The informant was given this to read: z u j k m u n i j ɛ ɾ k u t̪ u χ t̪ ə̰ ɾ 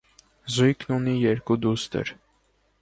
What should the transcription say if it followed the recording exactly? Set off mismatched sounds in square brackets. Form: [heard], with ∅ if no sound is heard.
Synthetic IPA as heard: z u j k [n] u n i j ɛ ɾ k u [d̪] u [s] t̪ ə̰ ɾ